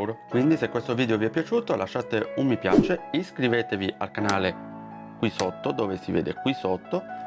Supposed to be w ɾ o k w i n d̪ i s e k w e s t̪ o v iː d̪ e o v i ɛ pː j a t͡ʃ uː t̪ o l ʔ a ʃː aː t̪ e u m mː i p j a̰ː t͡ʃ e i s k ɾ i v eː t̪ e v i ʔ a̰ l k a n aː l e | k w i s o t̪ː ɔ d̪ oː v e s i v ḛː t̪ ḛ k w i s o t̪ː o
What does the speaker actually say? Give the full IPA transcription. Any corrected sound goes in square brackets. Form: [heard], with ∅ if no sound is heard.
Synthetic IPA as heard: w ɾ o k w i n d̪ i s e k w e s t̪ o v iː d̪ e o v i ɛ pː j a t͡ʃ uː t̪ o l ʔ a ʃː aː t̪ e u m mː i p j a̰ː t͡ʃ e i s k ɾ i v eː t̪ e v i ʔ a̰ l k a n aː l e | k w i s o t̪ː [o] d̪ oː v e s i v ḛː [d̪] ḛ k w i s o t̪ː o